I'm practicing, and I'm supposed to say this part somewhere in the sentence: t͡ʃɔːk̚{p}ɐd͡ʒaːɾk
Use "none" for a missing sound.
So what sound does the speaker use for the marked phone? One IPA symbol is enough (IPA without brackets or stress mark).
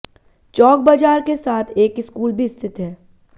b